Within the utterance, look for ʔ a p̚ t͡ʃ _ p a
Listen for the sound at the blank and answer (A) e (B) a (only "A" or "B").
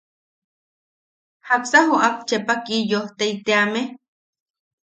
A